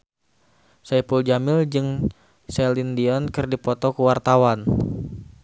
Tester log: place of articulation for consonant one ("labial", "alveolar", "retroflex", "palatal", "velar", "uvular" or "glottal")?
alveolar